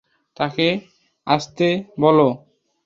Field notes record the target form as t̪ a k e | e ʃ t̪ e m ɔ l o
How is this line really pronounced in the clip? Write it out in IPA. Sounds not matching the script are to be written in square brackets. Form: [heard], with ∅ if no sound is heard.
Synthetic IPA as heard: t̪ a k e | [a] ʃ t̪ e [b] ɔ l o